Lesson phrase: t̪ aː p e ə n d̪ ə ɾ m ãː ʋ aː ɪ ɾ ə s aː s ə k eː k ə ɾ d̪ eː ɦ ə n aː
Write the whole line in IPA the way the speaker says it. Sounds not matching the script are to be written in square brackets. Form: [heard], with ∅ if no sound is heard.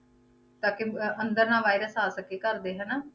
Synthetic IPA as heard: t̪ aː [k] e ə n d̪ ə ɾ [n] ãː ʋ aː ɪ ɾ ə s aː s ə k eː k ə ɾ d̪ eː ɦ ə n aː